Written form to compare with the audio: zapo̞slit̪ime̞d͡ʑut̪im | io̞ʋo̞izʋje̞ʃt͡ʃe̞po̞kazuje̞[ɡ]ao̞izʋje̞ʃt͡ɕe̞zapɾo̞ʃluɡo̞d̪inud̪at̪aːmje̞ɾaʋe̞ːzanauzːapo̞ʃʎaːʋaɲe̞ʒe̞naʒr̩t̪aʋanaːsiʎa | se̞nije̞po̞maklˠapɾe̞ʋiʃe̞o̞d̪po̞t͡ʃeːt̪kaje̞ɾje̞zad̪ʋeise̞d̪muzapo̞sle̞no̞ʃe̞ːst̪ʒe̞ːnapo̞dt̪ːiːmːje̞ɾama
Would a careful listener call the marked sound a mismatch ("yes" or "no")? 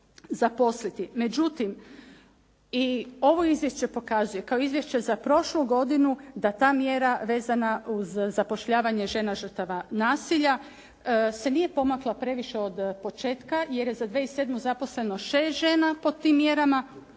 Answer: yes